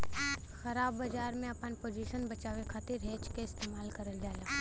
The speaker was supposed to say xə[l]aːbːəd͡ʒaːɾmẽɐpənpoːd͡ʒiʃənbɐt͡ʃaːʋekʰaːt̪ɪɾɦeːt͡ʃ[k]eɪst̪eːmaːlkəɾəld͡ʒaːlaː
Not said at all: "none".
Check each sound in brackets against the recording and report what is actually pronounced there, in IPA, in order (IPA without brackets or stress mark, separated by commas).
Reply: ɾ, k